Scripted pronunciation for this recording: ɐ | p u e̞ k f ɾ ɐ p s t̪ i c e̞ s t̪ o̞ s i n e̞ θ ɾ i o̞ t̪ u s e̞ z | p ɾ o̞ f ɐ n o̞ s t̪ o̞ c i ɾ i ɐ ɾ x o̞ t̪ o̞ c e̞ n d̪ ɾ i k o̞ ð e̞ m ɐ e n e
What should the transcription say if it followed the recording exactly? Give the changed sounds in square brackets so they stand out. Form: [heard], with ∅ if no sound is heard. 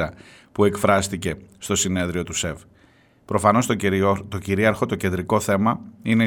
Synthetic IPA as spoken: ɐ | p u e̞ k f ɾ ɐ [∅] s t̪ i c e̞ s t̪ o̞ s i n e̞ [ð] ɾ i o̞ t̪ u s e̞ [v] | p ɾ o̞ f ɐ n o̞ s t̪ o̞ c i ɾ i ɐ ɾ x o̞ t̪ o̞ c e̞ n d̪ ɾ i k o̞ [θ] e̞ m ɐ [i] n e